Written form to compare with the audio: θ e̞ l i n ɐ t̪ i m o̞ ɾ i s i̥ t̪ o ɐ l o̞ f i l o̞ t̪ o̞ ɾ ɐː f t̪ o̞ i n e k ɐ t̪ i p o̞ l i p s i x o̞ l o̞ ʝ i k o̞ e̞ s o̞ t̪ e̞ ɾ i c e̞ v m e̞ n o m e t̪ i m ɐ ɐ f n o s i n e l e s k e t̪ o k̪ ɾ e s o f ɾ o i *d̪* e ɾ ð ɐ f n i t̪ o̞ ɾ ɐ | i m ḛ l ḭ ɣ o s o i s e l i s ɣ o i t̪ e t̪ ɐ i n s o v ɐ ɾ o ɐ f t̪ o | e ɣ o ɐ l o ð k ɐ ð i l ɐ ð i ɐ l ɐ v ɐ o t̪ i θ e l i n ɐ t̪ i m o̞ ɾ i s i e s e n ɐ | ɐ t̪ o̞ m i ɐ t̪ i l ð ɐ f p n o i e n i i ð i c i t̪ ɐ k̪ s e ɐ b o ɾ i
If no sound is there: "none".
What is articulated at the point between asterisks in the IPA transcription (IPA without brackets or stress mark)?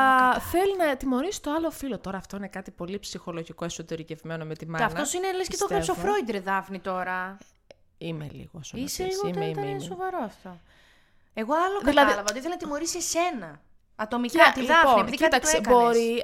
d̪